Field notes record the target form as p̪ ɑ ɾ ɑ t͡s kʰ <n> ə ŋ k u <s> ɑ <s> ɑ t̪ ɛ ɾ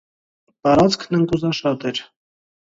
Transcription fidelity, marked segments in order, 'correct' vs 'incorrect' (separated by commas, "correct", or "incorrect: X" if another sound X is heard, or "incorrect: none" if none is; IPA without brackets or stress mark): correct, incorrect: z, incorrect: ʃ